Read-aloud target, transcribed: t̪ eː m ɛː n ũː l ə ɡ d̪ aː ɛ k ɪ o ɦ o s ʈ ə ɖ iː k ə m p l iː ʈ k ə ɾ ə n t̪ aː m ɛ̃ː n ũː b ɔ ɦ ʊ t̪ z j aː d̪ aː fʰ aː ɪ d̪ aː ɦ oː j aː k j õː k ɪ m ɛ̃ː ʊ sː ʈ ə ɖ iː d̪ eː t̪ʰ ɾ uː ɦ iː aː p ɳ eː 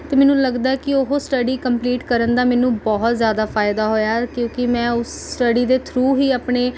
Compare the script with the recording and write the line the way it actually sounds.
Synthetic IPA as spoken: t̪ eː m ɛː n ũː l ə ɡ d̪ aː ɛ k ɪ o ɦ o s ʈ ə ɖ iː k ə m p l iː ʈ k ə ɾ ə n d̪ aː m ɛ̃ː n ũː b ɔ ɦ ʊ t̪ z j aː d̪ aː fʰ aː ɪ d̪ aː ɦ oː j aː k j õː k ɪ m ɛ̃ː ʊ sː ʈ ə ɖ iː d̪ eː t̪ʰ ɾ uː ɦ iː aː p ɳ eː

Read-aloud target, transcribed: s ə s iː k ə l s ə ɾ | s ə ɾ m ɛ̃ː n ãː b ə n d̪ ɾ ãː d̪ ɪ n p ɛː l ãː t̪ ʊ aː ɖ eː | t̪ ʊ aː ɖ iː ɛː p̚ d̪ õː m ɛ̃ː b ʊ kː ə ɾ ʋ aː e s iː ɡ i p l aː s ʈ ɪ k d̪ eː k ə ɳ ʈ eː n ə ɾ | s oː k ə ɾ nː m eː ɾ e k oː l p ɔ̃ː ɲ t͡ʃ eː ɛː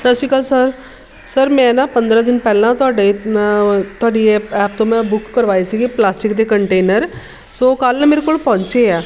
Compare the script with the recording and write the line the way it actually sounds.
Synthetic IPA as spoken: s ə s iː k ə l s ə ɾ | s ə ɾ m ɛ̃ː n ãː p ə n d̪ ɾ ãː d̪ ɪ n p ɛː l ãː t̪ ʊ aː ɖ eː | t̪ ʊ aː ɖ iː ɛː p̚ t̪ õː m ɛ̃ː b ʊ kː ə ɾ ʋ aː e s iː ɡ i p l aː s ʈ ɪ k d̪ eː k ə ɳ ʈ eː n ə ɾ | s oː k ə l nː m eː ɾ e k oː l p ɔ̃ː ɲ t͡ʃ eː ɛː

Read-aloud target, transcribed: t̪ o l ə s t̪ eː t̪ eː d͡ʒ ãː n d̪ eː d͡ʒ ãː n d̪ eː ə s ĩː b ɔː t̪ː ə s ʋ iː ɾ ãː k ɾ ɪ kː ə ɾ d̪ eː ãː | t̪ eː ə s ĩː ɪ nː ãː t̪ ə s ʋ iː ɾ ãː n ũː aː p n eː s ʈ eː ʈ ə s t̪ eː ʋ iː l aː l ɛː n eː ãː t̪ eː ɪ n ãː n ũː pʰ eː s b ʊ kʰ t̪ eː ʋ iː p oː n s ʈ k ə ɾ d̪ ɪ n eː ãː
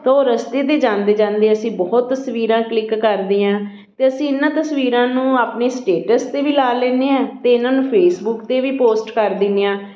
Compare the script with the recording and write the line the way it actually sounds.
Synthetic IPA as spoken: t̪ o ɾ ə s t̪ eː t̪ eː d͡ʒ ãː n d̪ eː d͡ʒ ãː n d̪ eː ə s ĩː b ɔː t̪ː ə s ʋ iː ɾ ãː k l ɪ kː ə ɾ d̪ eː ãː | t̪ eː ə s ĩː ɪ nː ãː t̪ ə s ʋ iː ɾ ãː n ũː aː p n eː s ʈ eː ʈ ə s t̪ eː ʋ iː l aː l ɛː n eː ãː t̪ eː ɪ n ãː n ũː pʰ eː s b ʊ k t̪ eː ʋ iː p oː s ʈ k ə ɾ d̪ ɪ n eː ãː

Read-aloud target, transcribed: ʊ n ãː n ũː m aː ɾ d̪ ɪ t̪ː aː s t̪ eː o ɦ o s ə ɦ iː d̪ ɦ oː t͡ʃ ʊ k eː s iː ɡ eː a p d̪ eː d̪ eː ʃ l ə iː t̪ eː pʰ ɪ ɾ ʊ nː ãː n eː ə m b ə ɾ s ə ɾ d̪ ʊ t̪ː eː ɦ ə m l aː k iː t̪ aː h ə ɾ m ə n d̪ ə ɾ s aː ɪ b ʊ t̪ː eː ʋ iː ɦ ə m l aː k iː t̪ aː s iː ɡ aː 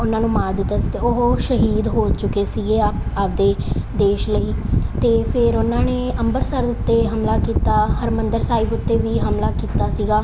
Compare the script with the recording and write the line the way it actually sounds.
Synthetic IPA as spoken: ʊ n ãː n ũː m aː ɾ d̪ ɪ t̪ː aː s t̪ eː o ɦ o ʃ ə ɦ iː d̪ ɦ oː t͡ʃ ʊ k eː s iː ɡ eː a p d̪ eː d̪ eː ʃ l ə iː t̪ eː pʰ ɪ ɾ ʊ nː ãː n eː ə m b ə ɾ s ə ɾ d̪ ʊ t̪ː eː ɦ ə m l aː k iː t̪ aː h ə ɾ m ə n d̪ ə ɾ s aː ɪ b ʊ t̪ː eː ʋ iː ɦ ə m l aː k iː t̪ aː s iː ɡ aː

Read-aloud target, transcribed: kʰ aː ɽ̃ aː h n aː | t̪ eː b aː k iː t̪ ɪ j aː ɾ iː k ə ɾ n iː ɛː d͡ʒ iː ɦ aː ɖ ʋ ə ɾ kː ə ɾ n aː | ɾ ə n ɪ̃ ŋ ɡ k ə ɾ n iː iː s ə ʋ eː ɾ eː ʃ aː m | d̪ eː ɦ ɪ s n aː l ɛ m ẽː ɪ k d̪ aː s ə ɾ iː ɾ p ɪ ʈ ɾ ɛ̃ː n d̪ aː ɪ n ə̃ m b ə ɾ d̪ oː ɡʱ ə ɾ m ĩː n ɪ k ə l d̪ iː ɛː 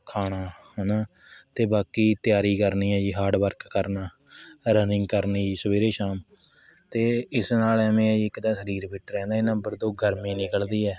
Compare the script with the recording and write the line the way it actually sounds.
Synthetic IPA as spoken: kʰ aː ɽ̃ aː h n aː | t̪ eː b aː k iː t̪ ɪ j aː ɾ iː k ə ɾ n iː ɛː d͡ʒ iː ɦ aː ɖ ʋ ə ɾ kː ə ɾ n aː | ɾ ə n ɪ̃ ŋ ɡ k ə ɾ n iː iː s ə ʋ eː ɾ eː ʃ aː m | t̪ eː ɪ s n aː l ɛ m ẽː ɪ k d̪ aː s ə ɾ iː ɾ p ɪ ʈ ɾ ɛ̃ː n d̪ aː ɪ n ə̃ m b ə ɾ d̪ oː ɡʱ ə ɾ m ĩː n ɪ k ə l d̪ iː ɛː

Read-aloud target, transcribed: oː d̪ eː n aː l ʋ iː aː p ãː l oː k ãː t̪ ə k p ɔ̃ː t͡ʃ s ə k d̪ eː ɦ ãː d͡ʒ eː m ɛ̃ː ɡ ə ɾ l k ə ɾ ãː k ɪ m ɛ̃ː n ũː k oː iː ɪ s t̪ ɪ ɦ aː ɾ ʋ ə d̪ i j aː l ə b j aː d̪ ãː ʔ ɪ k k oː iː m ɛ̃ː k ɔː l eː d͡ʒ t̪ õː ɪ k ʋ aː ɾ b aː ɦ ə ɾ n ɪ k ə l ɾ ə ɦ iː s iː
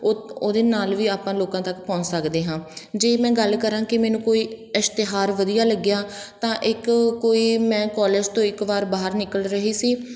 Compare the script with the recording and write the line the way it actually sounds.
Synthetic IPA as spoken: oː d̪ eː n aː l ʋ iː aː p ãː l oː k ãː t̪ ə k p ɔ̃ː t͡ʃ s ə k d̪ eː ɦ ãː d͡ʒ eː m ɛ̃ː ɡ ə l k ə ɾ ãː k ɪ m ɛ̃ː n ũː k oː iː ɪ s t̪ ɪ ɦ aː ɾ ʋ ə d̪ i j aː l ə ɡ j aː t̪ ãː ʔ ɪ k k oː iː m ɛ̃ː k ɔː l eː d͡ʒ t̪ õː ɪ k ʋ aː ɾ b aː ɦ ə ɾ n ɪ k ə l ɾ ə ɦ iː s iː

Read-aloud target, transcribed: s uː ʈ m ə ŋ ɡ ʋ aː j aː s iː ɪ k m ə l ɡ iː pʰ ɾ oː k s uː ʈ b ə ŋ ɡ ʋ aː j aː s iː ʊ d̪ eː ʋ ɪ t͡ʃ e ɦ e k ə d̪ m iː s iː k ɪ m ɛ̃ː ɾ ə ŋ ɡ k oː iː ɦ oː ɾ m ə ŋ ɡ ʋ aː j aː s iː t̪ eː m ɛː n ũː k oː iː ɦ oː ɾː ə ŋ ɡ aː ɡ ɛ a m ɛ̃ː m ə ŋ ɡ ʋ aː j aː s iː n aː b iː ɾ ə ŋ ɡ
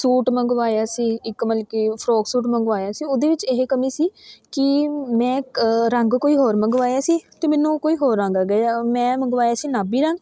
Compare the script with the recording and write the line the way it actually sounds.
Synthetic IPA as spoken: s uː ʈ m ə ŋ ɡ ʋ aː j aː s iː ɪ k m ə l k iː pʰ ɾ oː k s uː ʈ m ə ŋ ɡ ʋ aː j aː s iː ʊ d̪ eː ʋ ɪ t͡ʃ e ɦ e k ə m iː s iː k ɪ m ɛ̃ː ɾ ə ŋ ɡ k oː iː ɦ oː ɾ m ə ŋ ɡ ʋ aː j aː s iː t̪ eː m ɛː n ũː k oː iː ɦ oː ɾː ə ŋ ɡ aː ɡ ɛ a m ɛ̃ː m ə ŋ ɡ ʋ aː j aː s iː n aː b iː ɾ ə ŋ ɡ

